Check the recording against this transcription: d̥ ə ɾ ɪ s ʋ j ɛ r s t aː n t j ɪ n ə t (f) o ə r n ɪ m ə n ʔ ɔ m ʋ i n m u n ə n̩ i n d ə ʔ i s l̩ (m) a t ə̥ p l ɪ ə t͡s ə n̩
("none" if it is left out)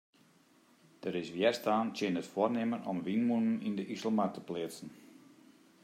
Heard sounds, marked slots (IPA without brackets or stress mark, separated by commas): f, m